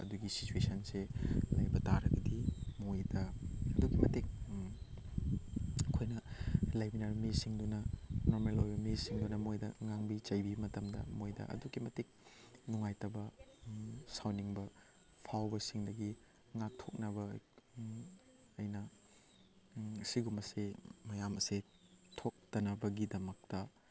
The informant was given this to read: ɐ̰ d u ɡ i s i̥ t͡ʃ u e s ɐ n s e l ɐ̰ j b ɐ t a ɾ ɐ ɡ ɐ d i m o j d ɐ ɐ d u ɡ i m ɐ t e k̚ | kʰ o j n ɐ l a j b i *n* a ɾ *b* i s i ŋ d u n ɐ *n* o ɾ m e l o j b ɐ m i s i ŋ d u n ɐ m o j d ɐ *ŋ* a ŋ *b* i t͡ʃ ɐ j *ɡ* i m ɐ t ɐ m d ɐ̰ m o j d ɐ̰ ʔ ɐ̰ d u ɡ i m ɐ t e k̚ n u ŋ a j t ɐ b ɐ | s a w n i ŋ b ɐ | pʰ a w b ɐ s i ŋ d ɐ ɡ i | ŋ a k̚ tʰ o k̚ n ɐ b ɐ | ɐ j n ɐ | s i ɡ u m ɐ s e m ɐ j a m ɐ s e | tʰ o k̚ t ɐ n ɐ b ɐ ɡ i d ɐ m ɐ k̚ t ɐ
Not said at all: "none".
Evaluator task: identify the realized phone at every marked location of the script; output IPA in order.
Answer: n, m, n, ŋ, b, b

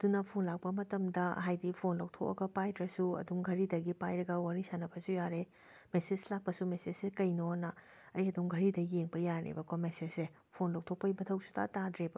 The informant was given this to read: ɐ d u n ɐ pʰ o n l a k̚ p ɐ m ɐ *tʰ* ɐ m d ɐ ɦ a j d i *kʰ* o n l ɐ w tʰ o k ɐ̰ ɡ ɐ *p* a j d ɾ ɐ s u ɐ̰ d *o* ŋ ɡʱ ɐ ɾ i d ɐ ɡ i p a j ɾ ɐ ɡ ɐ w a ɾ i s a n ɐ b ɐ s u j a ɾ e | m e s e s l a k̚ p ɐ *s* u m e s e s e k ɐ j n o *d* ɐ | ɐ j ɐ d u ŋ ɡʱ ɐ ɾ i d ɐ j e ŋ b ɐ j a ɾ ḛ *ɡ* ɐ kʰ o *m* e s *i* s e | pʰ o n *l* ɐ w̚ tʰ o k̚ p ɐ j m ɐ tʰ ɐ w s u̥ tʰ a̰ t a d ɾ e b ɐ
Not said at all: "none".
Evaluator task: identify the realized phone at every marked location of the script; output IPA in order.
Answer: t, pʰ, p, u, s, n, b, m, e, l

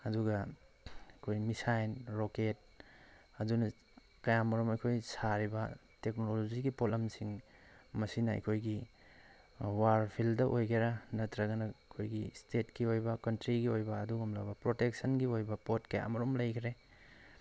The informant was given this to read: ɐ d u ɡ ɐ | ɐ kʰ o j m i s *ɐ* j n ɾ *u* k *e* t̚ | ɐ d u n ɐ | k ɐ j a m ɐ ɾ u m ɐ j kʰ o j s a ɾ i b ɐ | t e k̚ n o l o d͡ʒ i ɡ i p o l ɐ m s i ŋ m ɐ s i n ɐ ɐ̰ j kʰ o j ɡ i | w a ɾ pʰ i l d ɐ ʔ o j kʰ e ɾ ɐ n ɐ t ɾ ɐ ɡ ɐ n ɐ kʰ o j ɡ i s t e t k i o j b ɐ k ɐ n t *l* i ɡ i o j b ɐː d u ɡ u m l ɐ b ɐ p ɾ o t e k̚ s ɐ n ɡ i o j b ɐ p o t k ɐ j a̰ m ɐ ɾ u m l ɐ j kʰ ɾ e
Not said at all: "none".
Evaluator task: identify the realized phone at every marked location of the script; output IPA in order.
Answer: a, o, e, ɾ

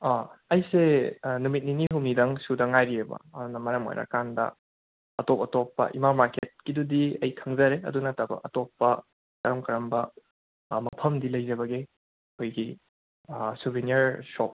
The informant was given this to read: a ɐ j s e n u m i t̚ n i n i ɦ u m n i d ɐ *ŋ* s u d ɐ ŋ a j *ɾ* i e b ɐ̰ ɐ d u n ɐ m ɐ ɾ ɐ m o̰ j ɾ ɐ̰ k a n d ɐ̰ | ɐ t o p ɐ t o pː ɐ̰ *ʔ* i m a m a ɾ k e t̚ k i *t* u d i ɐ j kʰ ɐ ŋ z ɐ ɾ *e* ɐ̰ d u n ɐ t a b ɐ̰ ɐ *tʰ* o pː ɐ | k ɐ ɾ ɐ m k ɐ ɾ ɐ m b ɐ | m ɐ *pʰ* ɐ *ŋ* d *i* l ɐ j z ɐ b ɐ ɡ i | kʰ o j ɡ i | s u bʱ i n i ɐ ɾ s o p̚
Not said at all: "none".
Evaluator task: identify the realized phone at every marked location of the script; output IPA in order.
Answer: ŋ, ɾ, ʔ, d, e, t, pʰ, m, i

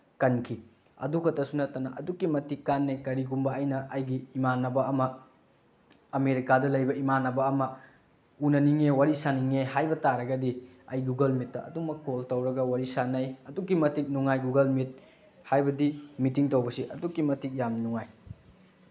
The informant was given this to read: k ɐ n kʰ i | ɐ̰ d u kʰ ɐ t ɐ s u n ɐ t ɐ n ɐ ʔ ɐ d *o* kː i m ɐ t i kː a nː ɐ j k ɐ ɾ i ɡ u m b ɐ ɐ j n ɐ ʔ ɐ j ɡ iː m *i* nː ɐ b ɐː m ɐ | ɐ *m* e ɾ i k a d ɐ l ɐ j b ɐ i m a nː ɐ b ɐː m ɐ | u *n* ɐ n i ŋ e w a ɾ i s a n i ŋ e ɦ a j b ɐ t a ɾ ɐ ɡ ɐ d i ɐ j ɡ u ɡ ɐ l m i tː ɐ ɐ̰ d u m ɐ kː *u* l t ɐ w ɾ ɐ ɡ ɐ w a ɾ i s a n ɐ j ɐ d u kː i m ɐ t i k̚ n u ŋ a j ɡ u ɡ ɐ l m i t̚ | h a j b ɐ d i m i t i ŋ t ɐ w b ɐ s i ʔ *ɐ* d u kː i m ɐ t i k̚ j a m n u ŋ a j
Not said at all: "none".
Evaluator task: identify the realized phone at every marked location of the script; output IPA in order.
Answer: u, a, m, n, o, ɐ

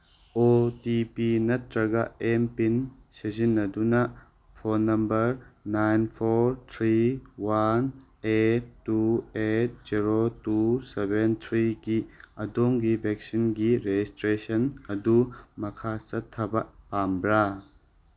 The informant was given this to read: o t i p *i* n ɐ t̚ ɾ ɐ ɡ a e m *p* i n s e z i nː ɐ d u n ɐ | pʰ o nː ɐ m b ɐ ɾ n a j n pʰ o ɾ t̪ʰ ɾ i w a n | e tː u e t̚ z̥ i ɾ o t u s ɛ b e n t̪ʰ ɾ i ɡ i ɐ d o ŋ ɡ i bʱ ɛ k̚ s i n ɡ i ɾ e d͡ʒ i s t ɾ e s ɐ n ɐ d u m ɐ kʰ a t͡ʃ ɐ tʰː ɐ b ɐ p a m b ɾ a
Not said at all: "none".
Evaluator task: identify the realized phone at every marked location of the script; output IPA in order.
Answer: i, p

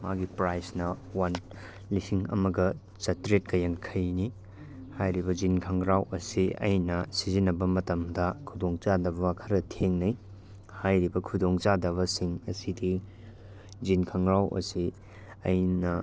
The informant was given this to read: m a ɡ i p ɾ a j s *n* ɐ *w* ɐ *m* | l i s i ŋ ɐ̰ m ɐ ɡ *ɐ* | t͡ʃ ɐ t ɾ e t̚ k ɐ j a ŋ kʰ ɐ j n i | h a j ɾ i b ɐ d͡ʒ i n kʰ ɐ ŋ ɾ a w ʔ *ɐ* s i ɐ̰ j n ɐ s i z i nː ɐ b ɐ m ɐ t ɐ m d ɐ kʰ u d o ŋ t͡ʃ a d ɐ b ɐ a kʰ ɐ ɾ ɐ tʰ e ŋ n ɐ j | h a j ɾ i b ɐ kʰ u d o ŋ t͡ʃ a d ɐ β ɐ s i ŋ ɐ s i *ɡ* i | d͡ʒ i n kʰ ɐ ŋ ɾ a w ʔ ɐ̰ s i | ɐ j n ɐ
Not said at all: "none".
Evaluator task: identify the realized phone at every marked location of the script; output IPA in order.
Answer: n, w, n, ɐ, ɐ, d

